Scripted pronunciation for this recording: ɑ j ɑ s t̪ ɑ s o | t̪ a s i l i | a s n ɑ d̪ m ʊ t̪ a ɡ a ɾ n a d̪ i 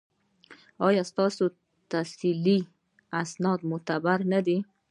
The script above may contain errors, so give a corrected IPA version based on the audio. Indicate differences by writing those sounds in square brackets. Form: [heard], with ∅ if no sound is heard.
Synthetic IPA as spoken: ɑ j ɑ s t̪ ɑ s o | t̪ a s i l i | a s n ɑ d̪ m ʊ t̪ a [b] a ɾ n a d̪ i

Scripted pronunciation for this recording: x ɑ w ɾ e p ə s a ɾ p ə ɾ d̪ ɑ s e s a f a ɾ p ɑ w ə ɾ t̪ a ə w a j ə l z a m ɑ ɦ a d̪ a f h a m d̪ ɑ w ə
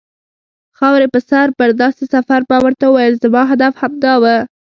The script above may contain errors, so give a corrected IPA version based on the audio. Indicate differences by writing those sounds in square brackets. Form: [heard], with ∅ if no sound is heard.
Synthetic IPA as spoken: x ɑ w ɾ e p ə s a ɾ p ə ɾ d̪ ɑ s e s a f a ɾ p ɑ w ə ɾ t̪ a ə w a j ə l z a m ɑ ɦ a d̪ a f h a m d̪ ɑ w ə

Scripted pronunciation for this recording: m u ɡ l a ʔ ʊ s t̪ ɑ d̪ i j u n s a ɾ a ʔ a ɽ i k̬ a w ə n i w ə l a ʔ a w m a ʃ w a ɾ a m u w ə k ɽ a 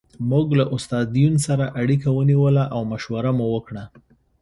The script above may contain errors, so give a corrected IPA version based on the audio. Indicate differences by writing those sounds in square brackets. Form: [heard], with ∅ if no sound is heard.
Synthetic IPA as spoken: m u ɡ l a ʔ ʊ s t̪ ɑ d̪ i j u n s a ɾ a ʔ a ɽ i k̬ a w ə n i w ə l a ʔ a w m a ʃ w a ɾ a m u w ə k ɽ a

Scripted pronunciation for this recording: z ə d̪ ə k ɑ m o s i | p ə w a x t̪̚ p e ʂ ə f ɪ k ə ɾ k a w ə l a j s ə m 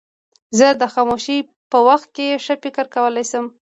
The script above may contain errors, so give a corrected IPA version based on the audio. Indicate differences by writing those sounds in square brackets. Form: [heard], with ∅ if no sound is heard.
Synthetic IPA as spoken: z ə d̪ ə [x] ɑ m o [ʃ] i | p ə w a x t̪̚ [k] e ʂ ə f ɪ k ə ɾ k a w ə l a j s ə m

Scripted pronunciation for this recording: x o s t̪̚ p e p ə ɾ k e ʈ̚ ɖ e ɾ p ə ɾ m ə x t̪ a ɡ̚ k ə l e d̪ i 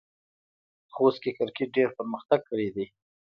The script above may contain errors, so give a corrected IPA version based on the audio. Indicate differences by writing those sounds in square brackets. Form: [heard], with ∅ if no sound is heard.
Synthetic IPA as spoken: x o s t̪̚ [k] e [k] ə ɾ k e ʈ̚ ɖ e ɾ p ə ɾ m ə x t̪ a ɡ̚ k ə [ɽ] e d̪ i

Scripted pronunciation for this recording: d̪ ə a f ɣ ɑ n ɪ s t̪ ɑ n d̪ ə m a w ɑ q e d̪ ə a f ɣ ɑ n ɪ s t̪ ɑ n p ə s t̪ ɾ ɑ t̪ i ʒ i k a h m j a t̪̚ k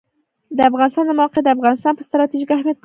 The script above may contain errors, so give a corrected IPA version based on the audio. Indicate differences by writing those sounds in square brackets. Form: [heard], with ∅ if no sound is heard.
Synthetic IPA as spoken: d̪ ə a f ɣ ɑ n ɪ s t̪ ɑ n d̪ ə m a w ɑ q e d̪ ə a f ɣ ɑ n ɪ s t̪ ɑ n p ə s t̪ ɾ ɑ t̪ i ʒ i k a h m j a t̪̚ k

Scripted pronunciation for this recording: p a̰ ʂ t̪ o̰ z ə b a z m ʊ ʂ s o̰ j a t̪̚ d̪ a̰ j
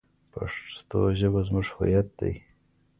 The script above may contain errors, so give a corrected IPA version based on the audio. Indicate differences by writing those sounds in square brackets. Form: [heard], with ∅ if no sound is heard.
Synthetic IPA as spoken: p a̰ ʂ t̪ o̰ [ʒ] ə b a z m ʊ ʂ [h] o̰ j a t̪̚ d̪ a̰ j

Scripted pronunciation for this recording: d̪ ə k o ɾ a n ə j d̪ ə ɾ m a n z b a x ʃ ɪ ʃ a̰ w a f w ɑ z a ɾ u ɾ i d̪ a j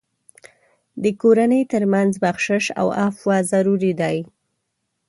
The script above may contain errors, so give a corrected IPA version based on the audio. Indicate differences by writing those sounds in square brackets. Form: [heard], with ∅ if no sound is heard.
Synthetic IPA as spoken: d̪ ə k o ɾ a n ə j [t̪] ə ɾ m a n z b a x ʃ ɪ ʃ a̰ w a f w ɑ z a ɾ u ɾ i d̪ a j

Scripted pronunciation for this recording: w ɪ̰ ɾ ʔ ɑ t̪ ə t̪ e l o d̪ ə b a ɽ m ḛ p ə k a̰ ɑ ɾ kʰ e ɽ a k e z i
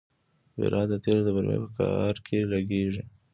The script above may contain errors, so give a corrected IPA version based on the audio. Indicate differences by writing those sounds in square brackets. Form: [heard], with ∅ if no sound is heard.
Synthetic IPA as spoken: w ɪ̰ ɾ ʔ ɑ [d̪] ə t̪ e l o d̪ ə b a [ɾ] m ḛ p ə k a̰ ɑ ɾ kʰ e [l] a [ɡ] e [ʐ] i

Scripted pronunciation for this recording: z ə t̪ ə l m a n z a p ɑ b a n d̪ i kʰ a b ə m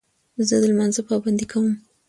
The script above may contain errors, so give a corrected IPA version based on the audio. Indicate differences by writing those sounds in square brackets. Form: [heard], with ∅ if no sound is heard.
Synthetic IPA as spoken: z ə [d̪] ə l m a n z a p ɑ b a n d̪ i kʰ a [w] ə m

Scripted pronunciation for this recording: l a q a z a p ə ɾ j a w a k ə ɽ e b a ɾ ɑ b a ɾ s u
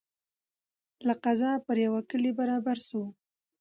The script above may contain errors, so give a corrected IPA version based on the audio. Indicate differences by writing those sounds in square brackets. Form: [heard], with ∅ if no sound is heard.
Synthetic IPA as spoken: l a q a z [ɑ] p ə ɾ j a w a k ə [l] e b a ɾ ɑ b a ɾ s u

